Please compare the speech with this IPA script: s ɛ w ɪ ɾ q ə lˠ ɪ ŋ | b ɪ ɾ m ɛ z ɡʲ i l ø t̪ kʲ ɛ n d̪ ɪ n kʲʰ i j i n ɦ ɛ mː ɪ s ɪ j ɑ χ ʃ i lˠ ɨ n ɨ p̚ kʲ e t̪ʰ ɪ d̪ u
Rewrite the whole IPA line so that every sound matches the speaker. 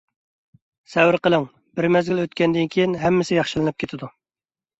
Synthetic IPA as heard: s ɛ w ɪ ɾ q ə lˠ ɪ ŋ | b ɪ ɾ m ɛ z ɡʲ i l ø t̪ kʲ ɛ n d̪ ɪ n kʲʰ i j i n ɦ ɛ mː ɪ s ɪ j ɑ χ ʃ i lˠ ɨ n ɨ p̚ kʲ e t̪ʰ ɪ d̪ u